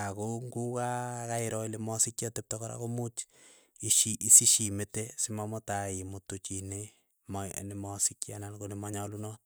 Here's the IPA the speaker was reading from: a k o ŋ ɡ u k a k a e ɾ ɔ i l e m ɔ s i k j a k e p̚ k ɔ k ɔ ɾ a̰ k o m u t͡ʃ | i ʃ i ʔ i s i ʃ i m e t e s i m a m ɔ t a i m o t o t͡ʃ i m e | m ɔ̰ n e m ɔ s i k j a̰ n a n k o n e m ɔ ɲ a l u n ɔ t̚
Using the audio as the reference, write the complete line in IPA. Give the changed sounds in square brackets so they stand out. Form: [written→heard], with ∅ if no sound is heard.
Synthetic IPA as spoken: a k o ŋ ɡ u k a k a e ɾ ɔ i l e m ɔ s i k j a [k→t] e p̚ [k→t] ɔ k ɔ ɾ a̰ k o m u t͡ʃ | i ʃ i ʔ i s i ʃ i m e t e s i m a m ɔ t a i m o t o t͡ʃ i [m→n] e | m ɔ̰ n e m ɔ s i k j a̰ n a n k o n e m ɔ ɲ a l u n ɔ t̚